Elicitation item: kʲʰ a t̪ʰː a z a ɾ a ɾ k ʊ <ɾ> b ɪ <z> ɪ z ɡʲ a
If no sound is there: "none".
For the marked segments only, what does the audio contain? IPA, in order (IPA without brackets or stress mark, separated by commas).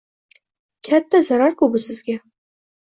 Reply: none, s